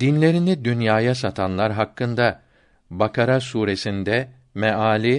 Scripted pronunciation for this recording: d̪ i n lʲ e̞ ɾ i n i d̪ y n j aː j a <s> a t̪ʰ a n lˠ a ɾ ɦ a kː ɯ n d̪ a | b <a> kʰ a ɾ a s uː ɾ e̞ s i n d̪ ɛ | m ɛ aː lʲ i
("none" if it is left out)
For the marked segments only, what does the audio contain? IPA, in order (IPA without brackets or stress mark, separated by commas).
s, a